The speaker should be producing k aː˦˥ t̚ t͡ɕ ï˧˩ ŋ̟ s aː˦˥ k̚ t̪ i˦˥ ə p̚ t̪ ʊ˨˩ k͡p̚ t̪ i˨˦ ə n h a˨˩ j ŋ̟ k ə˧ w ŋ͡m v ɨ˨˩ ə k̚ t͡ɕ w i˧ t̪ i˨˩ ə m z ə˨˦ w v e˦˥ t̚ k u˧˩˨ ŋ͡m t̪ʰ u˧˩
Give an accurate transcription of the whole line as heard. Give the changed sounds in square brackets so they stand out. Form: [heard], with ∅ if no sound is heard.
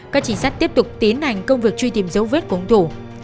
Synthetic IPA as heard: k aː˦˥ [k̚] t͡ɕ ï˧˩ ŋ̟ s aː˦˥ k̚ t̪ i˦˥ ə p̚ t̪ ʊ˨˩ k͡p̚ t̪ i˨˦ ə n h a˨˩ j ŋ̟ k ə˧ w ŋ͡m v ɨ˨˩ ə k̚ t͡ɕ w i˧ t̪ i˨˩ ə m z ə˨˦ w v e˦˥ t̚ k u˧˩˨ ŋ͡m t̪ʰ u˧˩